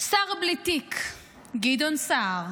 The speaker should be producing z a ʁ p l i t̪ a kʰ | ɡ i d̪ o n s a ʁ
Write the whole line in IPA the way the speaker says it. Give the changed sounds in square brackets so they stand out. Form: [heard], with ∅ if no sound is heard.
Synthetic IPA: [s] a ʁ [b] l i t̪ [i] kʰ | ɡ i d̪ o n s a ʁ

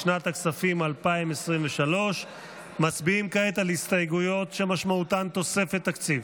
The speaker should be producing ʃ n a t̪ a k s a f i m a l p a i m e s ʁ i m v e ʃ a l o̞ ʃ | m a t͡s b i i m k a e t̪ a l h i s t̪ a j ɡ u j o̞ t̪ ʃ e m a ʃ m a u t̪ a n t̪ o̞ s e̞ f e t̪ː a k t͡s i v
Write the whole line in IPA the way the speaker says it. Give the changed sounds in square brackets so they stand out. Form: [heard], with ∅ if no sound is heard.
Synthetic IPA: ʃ n a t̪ a k s a f i m a l p a i m e s ʁ i m v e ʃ a l o̞ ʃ | m a t͡s b i i m k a e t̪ a l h i s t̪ a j ɡ u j o̞ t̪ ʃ e m a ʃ m a u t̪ a n t̪ o̞ s e̞ f e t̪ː a k t͡s i v

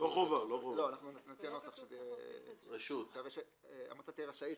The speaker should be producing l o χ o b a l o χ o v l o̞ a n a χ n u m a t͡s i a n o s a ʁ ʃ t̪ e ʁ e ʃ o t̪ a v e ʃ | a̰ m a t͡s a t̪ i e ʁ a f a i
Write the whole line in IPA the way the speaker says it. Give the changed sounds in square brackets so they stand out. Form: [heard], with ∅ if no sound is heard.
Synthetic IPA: l o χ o [v] a l o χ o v l o̞ a n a χ n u [n] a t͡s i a n o s a [χ] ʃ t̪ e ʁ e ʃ [u] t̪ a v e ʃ | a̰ m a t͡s a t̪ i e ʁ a [ʃ] a i

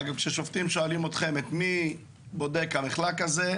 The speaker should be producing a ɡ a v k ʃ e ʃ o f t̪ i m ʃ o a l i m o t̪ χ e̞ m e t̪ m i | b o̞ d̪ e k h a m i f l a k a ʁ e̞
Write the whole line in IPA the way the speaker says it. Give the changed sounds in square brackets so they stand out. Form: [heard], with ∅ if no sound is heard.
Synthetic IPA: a ɡ a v k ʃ e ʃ o f t̪ i m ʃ o a l i m o t̪ χ e̞ m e t̪ m i | b o̞ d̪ e k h a m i [χ] l a k a [z] e̞

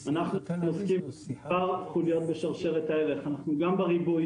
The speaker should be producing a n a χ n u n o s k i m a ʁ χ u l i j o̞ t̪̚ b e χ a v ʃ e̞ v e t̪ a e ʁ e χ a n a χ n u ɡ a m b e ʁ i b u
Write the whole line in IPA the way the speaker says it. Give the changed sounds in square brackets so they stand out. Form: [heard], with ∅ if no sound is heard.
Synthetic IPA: a n a χ n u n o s k i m a ʁ χ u l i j o̞ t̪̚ b e [ʃ] a [ʁ] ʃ e̞ [ʁ] e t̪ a e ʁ e χ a n a χ n u ɡ a m b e ʁ i b u

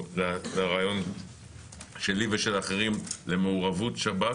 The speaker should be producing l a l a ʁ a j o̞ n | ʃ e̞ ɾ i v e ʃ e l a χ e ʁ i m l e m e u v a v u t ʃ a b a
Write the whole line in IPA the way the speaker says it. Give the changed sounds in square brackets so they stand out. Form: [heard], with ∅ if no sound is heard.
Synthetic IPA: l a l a ʁ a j o̞ n | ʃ e̞ [l] i v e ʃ e l a χ e ʁ i m l e m e u [ʁ] a v u t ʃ a b a

